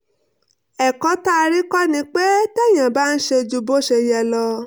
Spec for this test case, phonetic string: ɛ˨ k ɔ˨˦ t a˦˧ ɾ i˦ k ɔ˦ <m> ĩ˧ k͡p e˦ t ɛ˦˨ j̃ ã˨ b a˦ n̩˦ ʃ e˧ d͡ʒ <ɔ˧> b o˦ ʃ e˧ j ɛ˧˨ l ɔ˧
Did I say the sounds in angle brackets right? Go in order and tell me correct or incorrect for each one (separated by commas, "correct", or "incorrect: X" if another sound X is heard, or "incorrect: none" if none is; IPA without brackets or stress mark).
incorrect: n, incorrect: u˧